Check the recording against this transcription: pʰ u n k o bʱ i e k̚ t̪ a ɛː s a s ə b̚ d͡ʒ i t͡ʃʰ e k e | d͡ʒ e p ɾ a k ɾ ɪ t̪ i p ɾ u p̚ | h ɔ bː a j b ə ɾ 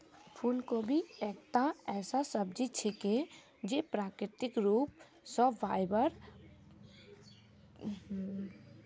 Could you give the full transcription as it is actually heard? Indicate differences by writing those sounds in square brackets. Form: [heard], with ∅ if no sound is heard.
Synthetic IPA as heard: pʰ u n k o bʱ i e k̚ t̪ a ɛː s a s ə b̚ d͡ʒ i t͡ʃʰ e k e | d͡ʒ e p ɾ a k ɾ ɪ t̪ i [k] ɾ u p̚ | [s] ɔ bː a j b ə ɾ